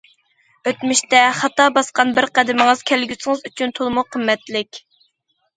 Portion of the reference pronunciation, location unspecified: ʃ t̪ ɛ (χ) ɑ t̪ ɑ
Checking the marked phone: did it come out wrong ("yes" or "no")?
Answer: no